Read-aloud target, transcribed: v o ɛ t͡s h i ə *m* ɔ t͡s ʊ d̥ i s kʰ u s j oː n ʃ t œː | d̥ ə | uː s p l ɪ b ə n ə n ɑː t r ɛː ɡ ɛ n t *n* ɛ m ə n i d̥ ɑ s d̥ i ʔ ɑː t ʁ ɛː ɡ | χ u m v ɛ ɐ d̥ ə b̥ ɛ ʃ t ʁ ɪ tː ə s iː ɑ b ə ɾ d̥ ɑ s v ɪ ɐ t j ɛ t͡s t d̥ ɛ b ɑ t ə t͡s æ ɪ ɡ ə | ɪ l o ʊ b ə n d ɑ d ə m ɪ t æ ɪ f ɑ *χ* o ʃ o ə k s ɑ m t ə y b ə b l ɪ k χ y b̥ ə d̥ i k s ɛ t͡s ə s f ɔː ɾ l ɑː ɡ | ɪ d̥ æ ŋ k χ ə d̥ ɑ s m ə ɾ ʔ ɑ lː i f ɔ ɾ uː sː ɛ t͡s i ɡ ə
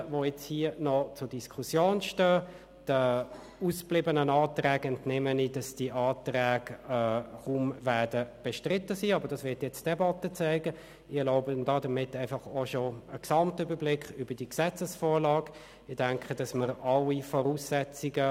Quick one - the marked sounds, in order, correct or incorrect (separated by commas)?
incorrect, correct, correct